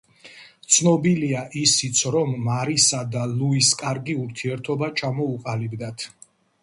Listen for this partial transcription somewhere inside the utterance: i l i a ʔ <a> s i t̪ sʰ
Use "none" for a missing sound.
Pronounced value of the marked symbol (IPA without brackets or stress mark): i